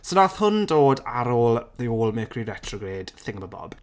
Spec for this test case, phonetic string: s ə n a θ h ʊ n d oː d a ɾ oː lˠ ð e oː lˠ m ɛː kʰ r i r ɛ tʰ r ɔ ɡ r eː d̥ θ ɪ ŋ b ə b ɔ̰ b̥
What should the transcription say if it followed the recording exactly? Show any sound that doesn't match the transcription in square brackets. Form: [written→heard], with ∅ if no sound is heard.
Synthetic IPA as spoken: s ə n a θ h ʊ n d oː d a ɾ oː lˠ ð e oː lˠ m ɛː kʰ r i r ɛ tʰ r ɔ ɡ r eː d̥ θ ɪ ŋ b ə b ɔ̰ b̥